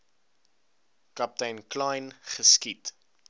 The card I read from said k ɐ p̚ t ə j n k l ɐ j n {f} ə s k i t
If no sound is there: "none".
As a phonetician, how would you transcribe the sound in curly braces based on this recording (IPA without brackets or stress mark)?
χ